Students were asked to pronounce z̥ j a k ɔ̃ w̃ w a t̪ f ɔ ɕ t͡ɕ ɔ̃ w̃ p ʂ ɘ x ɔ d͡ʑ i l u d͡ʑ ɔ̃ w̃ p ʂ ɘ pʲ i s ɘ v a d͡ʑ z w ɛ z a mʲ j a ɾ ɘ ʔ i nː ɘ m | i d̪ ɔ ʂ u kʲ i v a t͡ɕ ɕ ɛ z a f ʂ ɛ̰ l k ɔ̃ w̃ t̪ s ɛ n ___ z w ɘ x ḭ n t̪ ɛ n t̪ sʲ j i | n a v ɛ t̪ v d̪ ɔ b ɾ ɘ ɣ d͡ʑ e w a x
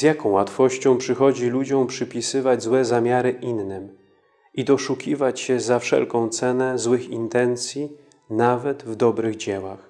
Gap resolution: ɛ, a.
ɛ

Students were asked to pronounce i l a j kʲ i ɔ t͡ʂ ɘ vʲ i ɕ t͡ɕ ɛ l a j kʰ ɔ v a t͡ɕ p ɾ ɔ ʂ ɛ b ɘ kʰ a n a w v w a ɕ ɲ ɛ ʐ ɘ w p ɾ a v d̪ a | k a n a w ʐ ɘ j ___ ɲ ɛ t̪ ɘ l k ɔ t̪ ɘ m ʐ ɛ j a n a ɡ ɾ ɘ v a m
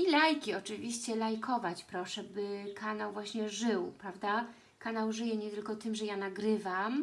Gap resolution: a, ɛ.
ɛ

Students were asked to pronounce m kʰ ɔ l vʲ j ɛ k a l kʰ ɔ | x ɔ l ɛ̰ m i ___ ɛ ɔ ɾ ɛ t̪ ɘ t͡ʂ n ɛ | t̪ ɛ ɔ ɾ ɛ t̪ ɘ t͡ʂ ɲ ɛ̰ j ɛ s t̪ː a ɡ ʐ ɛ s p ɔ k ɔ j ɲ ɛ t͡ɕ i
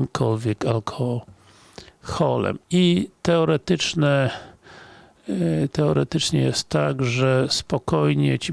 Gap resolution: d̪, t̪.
t̪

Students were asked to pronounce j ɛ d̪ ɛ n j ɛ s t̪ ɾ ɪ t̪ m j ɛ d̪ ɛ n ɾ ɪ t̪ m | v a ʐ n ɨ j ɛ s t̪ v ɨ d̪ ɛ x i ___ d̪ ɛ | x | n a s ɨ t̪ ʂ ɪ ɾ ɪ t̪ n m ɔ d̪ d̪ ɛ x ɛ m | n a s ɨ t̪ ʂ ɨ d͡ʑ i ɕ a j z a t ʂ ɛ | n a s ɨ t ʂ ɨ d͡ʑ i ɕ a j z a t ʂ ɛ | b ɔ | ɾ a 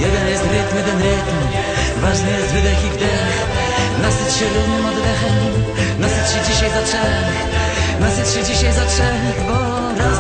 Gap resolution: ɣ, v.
v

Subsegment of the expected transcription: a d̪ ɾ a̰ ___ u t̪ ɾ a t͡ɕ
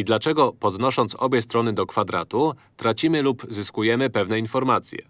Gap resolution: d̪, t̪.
t̪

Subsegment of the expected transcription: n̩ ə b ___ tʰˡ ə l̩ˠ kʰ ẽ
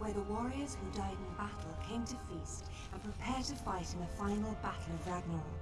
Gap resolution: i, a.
a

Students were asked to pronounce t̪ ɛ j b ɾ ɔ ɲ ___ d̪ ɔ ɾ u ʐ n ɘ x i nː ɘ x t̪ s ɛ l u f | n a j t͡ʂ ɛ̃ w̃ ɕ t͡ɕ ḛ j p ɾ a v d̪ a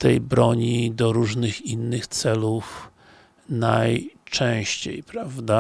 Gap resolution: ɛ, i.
i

